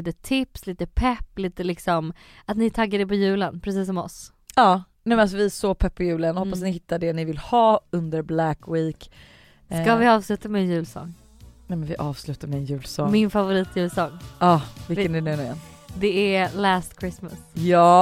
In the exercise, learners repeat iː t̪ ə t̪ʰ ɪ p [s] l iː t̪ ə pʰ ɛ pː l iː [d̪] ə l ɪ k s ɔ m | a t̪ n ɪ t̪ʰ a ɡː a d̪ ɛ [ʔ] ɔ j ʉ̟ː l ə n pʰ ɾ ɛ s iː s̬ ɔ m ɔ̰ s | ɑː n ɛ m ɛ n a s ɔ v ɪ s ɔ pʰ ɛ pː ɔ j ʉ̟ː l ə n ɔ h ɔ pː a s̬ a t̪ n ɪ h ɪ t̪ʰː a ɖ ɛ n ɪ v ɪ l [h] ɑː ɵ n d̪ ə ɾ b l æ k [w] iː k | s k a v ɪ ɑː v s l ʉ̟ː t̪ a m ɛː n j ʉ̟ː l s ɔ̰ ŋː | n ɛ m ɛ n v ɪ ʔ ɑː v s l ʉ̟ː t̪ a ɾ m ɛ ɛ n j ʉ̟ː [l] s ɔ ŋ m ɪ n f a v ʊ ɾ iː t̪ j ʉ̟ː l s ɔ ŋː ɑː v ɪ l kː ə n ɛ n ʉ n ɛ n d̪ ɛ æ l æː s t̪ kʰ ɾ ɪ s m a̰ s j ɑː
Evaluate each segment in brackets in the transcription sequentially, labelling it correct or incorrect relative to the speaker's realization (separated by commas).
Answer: correct, incorrect, incorrect, correct, correct, correct